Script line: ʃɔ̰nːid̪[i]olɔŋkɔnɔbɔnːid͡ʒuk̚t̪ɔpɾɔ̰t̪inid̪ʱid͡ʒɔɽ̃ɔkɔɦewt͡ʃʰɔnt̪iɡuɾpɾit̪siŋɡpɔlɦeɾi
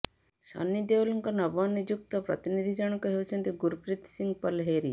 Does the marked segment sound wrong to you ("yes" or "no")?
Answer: yes